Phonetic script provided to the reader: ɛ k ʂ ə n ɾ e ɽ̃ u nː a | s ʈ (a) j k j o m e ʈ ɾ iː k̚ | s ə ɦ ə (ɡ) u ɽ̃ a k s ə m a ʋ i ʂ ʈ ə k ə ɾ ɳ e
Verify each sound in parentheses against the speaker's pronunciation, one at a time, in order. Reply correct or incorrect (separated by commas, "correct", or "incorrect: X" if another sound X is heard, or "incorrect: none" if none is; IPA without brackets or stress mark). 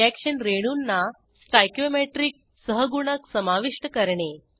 correct, correct